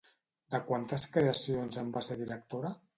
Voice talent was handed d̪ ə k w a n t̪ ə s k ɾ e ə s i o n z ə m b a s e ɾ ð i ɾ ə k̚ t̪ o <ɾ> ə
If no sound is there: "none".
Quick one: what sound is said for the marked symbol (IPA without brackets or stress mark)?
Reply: ɾ